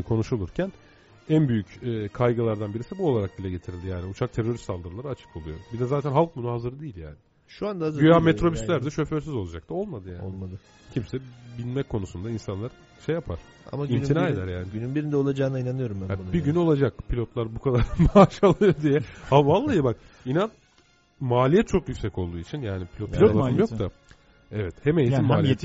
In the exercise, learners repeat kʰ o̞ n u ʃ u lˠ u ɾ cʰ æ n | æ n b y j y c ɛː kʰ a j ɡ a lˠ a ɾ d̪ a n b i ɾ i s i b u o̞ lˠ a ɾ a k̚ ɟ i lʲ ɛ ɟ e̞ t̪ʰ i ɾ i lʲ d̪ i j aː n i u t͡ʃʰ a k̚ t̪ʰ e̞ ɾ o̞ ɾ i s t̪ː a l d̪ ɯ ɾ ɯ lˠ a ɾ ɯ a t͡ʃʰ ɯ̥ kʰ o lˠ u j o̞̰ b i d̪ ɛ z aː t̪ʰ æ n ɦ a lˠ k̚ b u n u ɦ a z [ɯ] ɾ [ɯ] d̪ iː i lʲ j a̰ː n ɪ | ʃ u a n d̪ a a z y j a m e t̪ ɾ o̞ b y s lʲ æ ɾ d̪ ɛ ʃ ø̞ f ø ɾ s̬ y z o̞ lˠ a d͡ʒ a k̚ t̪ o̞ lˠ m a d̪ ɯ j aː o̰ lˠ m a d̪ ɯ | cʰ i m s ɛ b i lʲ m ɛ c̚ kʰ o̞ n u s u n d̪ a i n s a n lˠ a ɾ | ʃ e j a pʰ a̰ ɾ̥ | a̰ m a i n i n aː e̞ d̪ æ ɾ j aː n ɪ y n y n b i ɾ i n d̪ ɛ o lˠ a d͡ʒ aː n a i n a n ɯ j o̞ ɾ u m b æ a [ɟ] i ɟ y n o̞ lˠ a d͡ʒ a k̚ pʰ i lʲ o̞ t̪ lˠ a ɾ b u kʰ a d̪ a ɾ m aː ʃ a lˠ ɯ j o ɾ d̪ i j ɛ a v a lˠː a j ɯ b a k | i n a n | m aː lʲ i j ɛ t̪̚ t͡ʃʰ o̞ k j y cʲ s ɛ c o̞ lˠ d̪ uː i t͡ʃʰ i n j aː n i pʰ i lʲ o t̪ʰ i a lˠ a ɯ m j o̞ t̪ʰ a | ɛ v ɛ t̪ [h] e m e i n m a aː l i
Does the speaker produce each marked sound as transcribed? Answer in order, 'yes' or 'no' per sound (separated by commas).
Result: yes, yes, no, yes